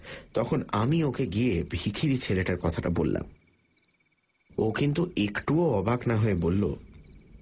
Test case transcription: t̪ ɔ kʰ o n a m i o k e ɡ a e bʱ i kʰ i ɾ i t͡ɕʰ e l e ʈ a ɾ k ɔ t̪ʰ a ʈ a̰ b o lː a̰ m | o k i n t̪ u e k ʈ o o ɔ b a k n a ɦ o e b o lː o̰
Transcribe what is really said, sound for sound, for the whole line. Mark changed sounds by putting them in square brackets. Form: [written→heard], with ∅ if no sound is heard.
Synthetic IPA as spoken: t̪ ɔ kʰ o n a m i o k e ɡ [a→i] e bʱ i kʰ i ɾ i t͡ɕʰ e l e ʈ a ɾ k ɔ t̪ʰ a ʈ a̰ b o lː a̰ m | o k i n t̪ u e k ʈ [o→u] o ɔ b a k n a ɦ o e b o lː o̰